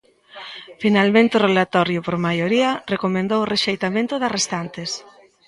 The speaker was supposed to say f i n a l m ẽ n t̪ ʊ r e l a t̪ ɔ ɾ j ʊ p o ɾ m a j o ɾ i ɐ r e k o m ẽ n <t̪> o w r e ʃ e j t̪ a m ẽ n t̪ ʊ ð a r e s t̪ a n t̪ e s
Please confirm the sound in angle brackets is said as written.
no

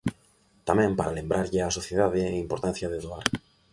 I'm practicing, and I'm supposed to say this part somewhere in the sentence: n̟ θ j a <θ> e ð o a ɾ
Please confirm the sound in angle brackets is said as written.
no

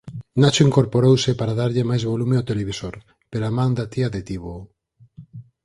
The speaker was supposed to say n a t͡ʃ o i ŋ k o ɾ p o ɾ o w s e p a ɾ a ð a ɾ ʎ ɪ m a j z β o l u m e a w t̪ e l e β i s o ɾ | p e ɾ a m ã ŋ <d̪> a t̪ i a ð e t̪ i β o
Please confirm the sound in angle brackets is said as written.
yes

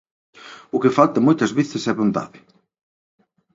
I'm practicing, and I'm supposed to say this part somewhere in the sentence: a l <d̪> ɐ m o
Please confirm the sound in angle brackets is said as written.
no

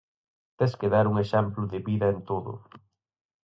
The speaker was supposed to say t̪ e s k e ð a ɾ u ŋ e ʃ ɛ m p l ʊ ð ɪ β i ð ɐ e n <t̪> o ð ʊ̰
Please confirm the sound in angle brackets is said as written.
yes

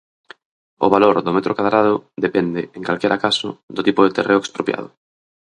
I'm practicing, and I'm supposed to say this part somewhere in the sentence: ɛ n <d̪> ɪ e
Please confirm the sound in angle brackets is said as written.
yes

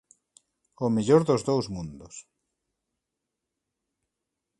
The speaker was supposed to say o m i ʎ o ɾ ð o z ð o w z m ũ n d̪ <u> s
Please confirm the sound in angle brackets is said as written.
no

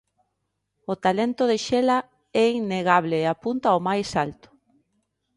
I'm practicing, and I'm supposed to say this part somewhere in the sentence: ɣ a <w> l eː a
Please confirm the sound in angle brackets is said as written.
no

